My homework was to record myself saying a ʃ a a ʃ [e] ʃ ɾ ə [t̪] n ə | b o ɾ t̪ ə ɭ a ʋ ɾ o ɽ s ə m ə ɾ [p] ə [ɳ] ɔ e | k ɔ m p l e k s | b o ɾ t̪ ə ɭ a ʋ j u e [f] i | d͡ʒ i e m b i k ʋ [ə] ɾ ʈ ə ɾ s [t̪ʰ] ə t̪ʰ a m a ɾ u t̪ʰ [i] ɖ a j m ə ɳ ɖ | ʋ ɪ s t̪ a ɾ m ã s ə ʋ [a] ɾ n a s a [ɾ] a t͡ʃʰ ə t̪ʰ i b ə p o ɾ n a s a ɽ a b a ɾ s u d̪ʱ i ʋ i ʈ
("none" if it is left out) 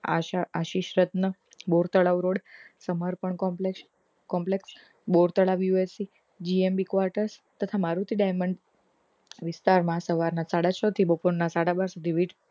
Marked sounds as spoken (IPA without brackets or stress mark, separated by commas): i, t̪, p, ɳ, s, a, t̪, i, a, ɽ